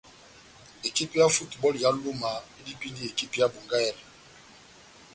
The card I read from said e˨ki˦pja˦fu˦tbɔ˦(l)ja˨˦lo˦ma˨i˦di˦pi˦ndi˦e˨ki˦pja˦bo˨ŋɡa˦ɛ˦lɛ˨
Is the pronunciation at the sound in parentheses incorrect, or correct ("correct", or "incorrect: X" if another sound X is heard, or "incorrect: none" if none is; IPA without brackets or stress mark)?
correct